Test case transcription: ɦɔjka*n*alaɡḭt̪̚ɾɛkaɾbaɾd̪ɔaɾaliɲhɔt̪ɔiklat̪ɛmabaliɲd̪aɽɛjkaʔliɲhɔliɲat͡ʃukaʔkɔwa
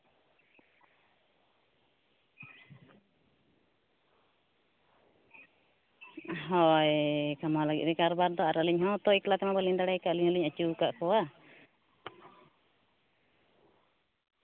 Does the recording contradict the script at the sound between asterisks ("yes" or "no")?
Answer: yes